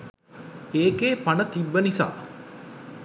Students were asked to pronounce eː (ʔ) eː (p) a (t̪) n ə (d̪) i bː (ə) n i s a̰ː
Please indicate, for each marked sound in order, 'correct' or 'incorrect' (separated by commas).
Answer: incorrect, correct, incorrect, incorrect, correct